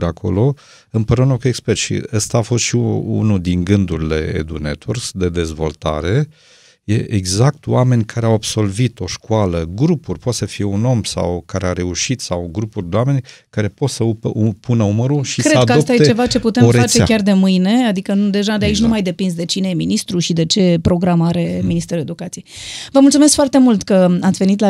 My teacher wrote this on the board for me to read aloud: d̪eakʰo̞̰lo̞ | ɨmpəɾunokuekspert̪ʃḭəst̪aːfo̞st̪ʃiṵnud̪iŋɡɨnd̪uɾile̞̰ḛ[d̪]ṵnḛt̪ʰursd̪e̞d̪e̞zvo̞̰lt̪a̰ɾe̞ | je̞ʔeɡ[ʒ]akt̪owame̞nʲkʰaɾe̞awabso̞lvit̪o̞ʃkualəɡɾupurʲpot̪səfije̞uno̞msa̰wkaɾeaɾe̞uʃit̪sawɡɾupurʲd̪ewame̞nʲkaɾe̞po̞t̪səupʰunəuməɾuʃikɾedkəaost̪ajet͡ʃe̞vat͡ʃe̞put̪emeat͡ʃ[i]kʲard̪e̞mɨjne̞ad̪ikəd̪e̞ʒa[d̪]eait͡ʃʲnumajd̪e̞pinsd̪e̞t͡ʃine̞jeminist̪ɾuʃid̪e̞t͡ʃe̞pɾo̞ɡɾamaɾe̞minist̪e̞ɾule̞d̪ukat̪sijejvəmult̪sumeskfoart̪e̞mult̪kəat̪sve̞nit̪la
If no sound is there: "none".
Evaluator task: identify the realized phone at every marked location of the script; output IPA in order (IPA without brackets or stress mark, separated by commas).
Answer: d̪, z, e, d̪